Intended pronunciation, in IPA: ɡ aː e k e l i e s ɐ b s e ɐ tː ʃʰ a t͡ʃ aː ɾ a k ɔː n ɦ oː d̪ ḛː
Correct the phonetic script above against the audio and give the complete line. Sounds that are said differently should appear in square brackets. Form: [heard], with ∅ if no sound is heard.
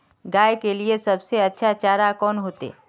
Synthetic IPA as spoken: ɡ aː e k e l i e s ɐ b s e ɐ tː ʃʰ a t͡ʃ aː ɾ a k ɔː n ɦ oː [t̪] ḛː